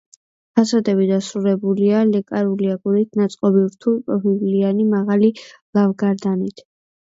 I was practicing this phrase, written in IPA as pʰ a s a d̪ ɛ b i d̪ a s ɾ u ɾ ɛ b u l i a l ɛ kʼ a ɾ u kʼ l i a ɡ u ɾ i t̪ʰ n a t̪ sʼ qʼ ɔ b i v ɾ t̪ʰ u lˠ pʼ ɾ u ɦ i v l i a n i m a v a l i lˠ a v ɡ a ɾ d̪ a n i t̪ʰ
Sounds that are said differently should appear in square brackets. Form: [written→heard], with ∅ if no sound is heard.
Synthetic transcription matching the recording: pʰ a s a d̪ ɛ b i d̪ a s ɾ u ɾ ɛ b u l i a l ɛ kʼ a ɾ u [kʼ→∅] l i a ɡ u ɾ i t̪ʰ n a t̪ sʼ qʼ ɔ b i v ɾ t̪ʰ u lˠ pʼ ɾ [u→ɔ] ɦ i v l i a n i m a [v→ʁ] a l i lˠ a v ɡ a ɾ d̪ a n i t̪ʰ